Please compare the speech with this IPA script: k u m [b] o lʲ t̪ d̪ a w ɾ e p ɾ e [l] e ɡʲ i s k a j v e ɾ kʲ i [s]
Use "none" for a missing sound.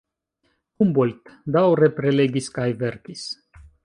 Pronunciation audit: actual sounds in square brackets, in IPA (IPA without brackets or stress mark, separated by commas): b, l, s